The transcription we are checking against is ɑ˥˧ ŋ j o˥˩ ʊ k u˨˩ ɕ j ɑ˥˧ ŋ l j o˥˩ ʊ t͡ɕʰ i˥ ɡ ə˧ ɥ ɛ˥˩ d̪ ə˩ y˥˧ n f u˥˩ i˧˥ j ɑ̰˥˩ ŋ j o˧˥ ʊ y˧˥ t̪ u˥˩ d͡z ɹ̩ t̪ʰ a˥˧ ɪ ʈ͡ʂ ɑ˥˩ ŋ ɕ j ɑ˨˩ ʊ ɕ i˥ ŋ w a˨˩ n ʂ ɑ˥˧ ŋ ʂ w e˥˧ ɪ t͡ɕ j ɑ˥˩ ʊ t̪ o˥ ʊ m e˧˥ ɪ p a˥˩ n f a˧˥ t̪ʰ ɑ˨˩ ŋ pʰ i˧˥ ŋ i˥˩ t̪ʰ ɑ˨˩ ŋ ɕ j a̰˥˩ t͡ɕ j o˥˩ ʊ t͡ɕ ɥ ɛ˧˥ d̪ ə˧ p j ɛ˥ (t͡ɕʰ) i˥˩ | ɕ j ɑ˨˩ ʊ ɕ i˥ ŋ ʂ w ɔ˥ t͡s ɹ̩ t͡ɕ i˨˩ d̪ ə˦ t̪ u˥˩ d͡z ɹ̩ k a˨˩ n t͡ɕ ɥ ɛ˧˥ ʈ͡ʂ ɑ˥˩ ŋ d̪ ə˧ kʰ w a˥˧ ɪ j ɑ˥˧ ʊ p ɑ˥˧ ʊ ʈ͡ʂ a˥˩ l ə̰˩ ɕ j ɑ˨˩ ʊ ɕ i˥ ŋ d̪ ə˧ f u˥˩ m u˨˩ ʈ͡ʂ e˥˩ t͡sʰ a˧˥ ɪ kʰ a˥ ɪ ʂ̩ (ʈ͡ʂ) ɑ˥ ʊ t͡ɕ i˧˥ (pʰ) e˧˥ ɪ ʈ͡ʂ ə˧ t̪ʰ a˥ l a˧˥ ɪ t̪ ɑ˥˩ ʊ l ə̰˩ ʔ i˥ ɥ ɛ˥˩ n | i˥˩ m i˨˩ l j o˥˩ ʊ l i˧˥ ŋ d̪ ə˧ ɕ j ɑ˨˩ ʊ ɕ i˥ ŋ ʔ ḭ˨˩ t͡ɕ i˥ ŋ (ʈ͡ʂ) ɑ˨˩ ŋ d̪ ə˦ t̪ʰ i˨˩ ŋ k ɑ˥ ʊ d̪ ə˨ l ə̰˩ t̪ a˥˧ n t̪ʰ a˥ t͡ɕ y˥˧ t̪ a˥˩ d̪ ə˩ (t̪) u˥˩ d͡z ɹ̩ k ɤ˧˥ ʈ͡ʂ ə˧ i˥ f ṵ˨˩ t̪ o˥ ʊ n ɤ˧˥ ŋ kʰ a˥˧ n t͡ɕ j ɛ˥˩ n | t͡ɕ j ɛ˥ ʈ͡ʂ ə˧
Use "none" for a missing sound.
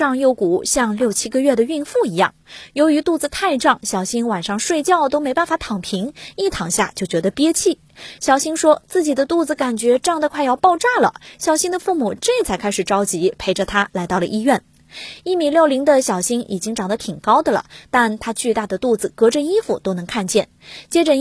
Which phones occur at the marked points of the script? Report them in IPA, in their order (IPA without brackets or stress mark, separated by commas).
t͡ɕʰ, ʈ͡ʂ, pʰ, ʈ͡ʂ, t̪